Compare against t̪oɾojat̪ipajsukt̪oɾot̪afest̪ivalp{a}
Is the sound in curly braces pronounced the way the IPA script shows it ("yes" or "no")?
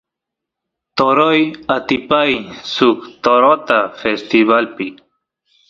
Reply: no